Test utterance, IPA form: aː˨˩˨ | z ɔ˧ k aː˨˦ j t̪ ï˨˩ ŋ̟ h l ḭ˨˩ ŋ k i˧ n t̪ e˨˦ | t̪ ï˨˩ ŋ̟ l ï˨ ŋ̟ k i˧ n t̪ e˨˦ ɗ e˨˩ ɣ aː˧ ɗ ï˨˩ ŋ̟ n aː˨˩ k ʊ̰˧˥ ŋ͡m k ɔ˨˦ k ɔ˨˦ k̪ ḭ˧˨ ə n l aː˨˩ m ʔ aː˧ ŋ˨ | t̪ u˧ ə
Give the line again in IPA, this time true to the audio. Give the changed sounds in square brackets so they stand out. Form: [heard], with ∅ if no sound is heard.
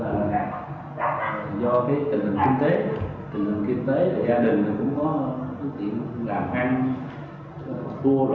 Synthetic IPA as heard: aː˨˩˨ | z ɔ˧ k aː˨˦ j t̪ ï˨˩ ŋ̟ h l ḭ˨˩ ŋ k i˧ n t̪ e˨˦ | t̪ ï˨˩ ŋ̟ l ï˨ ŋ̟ k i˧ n t̪ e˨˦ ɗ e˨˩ [z] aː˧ ɗ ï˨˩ ŋ̟ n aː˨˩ k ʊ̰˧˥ ŋ͡m k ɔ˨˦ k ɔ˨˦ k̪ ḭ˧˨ ə n l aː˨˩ m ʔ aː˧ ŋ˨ | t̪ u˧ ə